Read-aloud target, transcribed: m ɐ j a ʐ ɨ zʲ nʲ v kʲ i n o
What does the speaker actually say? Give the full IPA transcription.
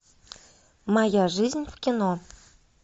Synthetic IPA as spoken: m ɑ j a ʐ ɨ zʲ nʲ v kʲ i n o